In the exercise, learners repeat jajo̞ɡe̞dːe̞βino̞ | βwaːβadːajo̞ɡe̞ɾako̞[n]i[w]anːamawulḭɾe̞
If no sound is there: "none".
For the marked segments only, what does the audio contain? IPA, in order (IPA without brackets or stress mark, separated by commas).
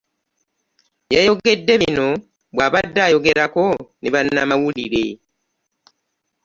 n, β